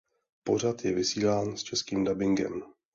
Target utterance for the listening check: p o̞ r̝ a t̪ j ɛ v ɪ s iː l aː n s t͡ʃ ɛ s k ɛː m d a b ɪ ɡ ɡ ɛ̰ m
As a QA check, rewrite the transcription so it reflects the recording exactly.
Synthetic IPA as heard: p o̞ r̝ a t̪ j ɛ v ɪ s iː l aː n s t͡ʃ ɛ s k iː m d a b ɪ ŋ ɡ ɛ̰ m

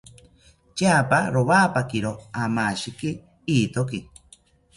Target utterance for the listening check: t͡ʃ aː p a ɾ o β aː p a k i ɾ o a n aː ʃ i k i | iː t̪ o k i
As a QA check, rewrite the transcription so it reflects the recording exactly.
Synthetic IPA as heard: t͡ʃ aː p a ɾ o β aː p a k i ɾ o a m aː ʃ i k i | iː t̪ o k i

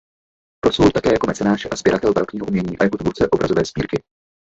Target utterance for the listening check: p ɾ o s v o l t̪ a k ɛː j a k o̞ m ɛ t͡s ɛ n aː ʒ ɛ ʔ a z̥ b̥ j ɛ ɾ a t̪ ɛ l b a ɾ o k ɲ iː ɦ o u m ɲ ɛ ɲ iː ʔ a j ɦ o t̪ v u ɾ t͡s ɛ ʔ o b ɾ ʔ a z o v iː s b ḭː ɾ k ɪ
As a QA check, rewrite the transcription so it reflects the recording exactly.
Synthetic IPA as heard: p ɾ o s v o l t̪ a k ɛː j a k o̞ m ɛ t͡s ɛ n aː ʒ ɛ ʔ a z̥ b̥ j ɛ ɾ a t̪ ɛ l b a ɾ o k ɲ iː ɦ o u m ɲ ɛ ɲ iː ʔ a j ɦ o t̪ v u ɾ t͡s ɛ ʔ o b ɾ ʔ a z o v ɛː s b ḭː ɾ k ɪ

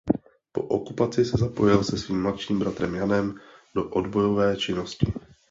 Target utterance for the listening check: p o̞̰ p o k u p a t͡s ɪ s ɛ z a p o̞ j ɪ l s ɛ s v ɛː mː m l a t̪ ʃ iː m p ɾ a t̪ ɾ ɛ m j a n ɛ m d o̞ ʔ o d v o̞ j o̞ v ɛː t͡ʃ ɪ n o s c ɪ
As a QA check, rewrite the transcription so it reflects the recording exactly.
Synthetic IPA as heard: p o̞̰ ʔ o k u p a t͡s ɪ s ɛ z a p o̞ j ɪ l s ɛ s v iː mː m l a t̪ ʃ iː m b ɾ a t̪ ɾ ɛ m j a n ɛ m d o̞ ʔ o d b o̞ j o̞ v ɛː t͡ʃ ɪ n o s c ɪ

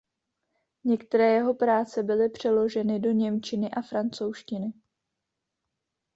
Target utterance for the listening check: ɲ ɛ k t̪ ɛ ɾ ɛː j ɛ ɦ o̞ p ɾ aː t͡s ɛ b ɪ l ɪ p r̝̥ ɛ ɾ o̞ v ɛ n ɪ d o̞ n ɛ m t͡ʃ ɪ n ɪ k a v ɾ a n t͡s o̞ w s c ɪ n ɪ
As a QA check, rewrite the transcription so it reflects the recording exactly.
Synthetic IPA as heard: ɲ ɛ k t̪ ɛ ɾ ɛː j ɛ ɦ o̞ p ɾ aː t͡s ɛ b ɪ l ɪ p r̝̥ ɛ l o̞ ʒ ɛ n ɪ d o̞ ɲ ɛ m t͡ʃ ɪ n ɪ ʔ a f ɾ a n t͡s o̞ w ʃ c ɪ n ɪ

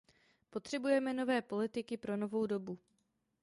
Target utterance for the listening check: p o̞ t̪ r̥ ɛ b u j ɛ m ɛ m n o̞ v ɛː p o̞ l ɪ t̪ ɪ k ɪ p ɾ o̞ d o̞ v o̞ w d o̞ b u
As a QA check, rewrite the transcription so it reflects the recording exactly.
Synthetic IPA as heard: p o̞ t̪ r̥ ɛ b u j ɛ m ɛ n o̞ v ɛː p o̞ l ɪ t̪ ɪ k ɪ p ɾ o̞ n o̞ v o̞ w d o̞ b u

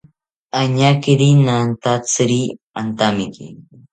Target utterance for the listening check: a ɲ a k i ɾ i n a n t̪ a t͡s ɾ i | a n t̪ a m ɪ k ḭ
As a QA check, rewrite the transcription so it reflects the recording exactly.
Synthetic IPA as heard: a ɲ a k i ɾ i n a n t̪ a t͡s ɾ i | a n t̪ a m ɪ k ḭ

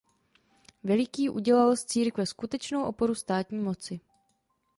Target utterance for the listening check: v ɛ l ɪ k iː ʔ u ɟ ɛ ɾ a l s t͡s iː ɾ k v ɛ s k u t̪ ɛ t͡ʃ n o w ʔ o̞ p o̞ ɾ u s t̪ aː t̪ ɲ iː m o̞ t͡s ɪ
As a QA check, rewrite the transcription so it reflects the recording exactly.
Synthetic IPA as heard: v ɛ l ɪ k iː ʔ u ɟ ɛ l a l s t͡s iː ɾ k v ɛ s k u t̪ ɛ t͡ʃ n o w ʔ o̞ p o̞ ɾ u s t̪ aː t̪ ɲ iː m o̞ t͡s ɪ

